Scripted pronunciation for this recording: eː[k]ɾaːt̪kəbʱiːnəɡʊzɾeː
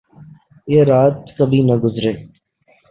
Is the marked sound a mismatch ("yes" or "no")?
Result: yes